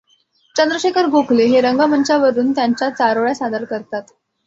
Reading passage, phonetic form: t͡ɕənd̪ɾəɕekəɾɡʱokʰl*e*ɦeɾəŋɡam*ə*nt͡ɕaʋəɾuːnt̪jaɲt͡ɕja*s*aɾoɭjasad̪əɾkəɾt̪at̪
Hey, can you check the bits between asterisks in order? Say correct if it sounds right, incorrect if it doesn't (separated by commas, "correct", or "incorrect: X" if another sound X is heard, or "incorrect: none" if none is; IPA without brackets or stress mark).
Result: correct, correct, incorrect: t͡s